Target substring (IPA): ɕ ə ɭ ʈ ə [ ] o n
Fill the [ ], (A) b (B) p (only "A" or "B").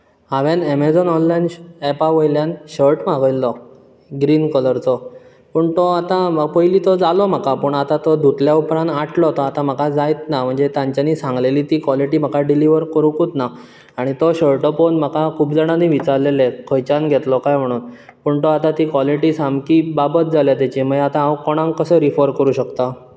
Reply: B